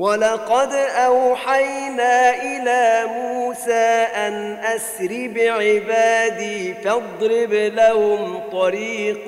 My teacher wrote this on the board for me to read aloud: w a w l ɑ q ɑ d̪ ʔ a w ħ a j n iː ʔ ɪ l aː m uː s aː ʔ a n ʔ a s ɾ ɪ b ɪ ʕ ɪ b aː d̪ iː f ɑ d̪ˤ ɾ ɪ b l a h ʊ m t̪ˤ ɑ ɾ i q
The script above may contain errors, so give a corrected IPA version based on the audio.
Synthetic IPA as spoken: w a l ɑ q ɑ d̪ ʔ a w ħ a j n aː ʔ ɪ l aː m uː s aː ʔ a n ʔ a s ɾ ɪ b ɪ ʕ ɪ b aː d̪ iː f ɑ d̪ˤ ɾ ɪ b l a h ʊ m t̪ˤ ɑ ɾ iː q